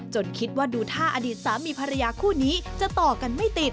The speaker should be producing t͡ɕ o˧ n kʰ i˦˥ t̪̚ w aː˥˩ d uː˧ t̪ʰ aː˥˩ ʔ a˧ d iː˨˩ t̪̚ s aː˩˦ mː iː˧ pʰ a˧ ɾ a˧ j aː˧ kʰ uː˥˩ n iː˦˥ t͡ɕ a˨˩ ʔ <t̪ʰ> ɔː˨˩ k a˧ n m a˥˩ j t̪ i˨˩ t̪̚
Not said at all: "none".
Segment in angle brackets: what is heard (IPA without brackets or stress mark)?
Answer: t̪